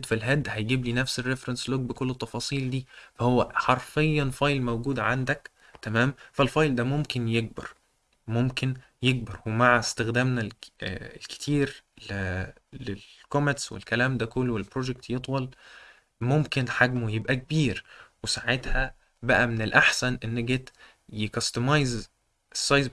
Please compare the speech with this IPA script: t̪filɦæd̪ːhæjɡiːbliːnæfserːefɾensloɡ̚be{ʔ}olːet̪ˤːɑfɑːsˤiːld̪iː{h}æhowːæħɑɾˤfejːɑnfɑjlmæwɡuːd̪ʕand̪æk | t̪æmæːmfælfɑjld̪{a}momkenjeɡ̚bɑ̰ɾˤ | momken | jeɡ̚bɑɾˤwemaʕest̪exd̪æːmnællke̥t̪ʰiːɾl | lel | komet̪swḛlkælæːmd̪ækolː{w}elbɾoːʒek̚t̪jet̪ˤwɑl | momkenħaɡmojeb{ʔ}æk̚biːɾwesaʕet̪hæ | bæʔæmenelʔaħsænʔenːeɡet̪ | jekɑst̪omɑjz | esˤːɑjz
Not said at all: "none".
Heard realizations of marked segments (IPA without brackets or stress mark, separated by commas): k, f, æ, w, ʔ